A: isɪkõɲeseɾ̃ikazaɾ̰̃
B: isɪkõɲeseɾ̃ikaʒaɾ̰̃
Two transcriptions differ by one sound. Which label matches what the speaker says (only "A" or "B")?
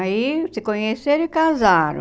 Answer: A